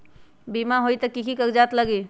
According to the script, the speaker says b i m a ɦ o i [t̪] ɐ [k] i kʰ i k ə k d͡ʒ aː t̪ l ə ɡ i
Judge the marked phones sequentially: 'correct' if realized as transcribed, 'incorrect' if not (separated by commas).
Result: correct, correct